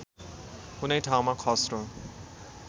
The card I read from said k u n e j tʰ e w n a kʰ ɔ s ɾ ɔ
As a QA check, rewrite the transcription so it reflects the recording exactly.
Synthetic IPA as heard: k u n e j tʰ a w m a kʰ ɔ s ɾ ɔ